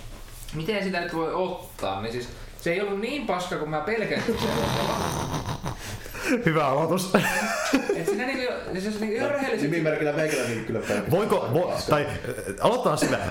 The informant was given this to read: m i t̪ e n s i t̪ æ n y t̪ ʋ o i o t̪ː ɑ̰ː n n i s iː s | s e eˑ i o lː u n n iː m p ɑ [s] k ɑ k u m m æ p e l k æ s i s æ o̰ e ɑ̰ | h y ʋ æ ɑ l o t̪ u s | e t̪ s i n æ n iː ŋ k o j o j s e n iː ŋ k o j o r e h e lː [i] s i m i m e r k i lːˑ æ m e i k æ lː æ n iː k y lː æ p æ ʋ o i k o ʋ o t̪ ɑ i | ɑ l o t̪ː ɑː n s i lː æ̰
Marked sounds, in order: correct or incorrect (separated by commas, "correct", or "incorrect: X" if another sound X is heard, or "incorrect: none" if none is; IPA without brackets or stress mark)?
correct, correct